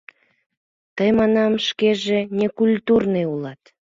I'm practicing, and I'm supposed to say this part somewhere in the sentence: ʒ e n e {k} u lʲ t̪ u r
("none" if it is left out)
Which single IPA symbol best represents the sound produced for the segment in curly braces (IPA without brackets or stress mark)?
k